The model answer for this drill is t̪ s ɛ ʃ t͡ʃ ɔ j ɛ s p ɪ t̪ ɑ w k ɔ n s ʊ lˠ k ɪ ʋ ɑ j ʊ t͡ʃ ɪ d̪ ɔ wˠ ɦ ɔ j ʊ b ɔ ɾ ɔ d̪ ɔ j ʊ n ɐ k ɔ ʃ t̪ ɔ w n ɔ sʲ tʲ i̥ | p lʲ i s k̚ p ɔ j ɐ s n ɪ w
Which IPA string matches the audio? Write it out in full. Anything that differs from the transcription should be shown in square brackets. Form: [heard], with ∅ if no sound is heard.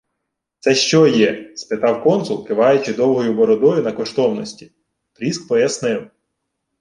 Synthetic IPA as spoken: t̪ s ɛ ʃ t͡ʃ ɔ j ɛ s p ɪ t̪ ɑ w k ɔ n s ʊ lˠ k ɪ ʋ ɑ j ʊ t͡ʃ ɪ d̪ ɔ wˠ ɦ ɔ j ʊ b ɔ ɾ ɔ d̪ ɔ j ʊ n ɐ k ɔ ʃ t̪ ɔ w n ɔ sʲ tʲ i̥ | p [ɾʲ] i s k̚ p ɔ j ɐ s n ɪ w

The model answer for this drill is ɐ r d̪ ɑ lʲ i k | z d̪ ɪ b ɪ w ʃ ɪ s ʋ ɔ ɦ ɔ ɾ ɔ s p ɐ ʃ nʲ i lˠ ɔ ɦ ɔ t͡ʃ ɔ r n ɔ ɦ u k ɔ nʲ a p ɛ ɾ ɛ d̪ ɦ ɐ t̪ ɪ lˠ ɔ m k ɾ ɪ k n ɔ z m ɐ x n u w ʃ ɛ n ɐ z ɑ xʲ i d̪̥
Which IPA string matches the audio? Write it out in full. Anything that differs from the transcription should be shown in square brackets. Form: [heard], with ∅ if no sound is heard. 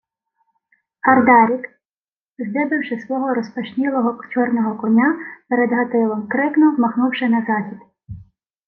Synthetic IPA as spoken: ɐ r d̪ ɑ [ɾʲ] i k | z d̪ ɪ b ɪ w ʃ ɪ s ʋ ɔ ɦ ɔ ɾ ɔ s p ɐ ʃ nʲ i lˠ ɔ ɦ ɔ t͡ʃ ɔ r n ɔ ɦ [ɔ] k ɔ nʲ a p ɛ ɾ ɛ d̪ ɦ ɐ t̪ ɪ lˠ ɔ m k ɾ ɪ k n ɔ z m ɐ x n u w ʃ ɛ n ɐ z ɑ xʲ i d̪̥

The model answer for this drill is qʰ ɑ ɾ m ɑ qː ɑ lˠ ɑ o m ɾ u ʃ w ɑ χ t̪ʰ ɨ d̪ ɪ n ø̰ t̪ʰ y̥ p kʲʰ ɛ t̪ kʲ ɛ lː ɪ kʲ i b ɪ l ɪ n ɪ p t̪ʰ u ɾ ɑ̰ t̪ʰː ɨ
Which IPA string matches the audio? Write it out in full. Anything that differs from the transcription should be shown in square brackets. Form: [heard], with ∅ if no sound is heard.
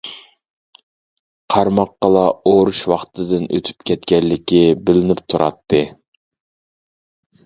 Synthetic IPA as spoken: qʰ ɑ ɾ m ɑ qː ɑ lˠ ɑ o [∅] ɾ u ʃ w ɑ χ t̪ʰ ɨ d̪ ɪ n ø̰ t̪ʰ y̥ p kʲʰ ɛ t̪ kʲ ɛ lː ɪ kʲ i b ɪ l ɪ n ɪ p t̪ʰ u ɾ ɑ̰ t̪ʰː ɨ

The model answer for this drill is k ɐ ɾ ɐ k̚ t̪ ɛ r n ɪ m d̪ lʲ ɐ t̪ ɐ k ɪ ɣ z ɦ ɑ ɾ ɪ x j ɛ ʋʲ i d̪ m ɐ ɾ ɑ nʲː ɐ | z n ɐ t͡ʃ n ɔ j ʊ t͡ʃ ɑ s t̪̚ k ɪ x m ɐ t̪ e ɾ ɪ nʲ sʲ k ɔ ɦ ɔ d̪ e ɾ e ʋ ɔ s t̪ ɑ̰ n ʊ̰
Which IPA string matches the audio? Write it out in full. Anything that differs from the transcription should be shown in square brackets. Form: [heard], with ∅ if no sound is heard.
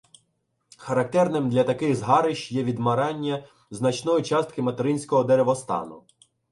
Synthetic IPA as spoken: [x] ɐ ɾ ɐ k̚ t̪ ɛ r n ɪ m d̪ lʲ ɐ t̪ ɐ k ɪ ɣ z ɦ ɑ ɾ ɪ [ʃ] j ɛ ʋʲ i d̪ m ɐ ɾ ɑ nʲː ɐ | z n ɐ t͡ʃ n ɔ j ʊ t͡ʃ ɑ s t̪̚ k ɪ [∅] m ɐ t̪ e ɾ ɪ nʲ sʲ k ɔ ɦ ɔ d̪ e ɾ e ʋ ɔ s t̪ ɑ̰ n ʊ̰

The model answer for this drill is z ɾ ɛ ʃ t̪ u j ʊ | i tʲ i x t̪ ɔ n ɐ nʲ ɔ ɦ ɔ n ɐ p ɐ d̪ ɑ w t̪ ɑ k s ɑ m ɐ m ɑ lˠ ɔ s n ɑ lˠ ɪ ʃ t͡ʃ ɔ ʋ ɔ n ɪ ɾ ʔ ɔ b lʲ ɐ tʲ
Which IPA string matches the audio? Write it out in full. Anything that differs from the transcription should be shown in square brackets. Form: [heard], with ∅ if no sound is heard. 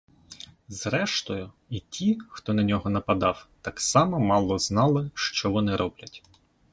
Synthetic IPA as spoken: z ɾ ɛ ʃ t̪ [ɔ] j ʊ | i tʲ i x t̪ ɔ n ɐ nʲ ɔ ɦ ɔ n ɐ p ɐ d̪ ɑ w t̪ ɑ k s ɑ m ɐ m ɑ lˠ ɔ [z] n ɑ lˠ ɪ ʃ t͡ʃ ɔ ʋ ɔ n ɪ ɾ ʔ ɔ b lʲ ɐ tʲ

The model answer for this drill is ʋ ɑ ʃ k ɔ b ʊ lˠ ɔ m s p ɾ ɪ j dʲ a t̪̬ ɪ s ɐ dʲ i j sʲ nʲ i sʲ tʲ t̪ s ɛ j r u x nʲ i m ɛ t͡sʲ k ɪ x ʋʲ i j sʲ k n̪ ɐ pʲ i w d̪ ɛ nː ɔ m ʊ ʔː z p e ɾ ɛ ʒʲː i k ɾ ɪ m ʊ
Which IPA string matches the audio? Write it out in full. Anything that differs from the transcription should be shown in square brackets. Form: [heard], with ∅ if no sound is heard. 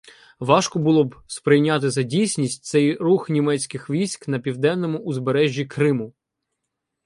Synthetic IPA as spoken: ʋ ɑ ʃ k ɔ b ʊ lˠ ɔ [b] s p ɾ ɪ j [nʲ] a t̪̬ ɪ [z] ɐ dʲ i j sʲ nʲ i sʲ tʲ t̪ s ɛ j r u x nʲ i m ɛ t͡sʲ k ɪ x ʋʲ i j sʲ k n̪ ɐ pʲ i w d̪ ɛ nː ɔ m ʊ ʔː z [b] e ɾ ɛ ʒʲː i k ɾ ɪ m ʊ

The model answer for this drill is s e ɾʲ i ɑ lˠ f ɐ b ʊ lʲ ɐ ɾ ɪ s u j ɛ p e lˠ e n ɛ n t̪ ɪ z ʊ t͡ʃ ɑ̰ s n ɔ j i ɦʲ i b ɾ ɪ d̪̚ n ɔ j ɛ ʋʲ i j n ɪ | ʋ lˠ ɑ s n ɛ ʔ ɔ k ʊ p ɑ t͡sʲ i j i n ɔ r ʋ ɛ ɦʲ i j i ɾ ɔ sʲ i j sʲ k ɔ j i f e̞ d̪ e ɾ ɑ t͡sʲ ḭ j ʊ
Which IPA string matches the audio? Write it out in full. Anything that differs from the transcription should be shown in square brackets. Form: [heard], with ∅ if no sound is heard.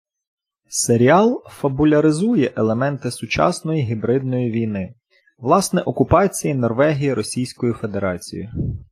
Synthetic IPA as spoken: s e ɾʲ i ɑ lˠ f ɐ b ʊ lʲ ɐ ɾ ɪ [z] u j ɛ [ʔ] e lˠ e [m] ɛ n t̪ ɪ [s] ʊ t͡ʃ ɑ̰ s n ɔ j i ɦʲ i b ɾ ɪ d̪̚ n ɔ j [i] ʋʲ i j n ɪ | ʋ lˠ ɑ s n ɛ ʔ ɔ k ʊ p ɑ t͡sʲ i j i n ɔ r ʋ ɛ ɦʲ i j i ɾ ɔ sʲ i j sʲ k ɔ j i f e̞ d̪ e ɾ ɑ t͡sʲ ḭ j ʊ

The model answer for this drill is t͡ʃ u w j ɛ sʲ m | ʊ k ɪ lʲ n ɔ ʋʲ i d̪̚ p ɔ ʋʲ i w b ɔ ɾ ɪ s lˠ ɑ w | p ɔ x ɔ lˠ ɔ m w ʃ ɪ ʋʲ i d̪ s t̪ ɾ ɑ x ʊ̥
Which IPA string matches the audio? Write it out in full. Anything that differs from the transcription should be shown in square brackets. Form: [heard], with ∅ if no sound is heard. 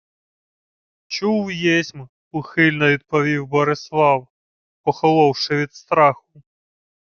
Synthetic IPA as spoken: t͡ʃ u w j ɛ sʲ m | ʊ [x] ɪ lʲ n ɔ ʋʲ i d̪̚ p ɔ ʋʲ i w b ɔ ɾ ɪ s lˠ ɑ w | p ɔ x ɔ lˠ ɔ [∅] w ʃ ɪ ʋʲ i d̪ s t̪ ɾ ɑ x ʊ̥

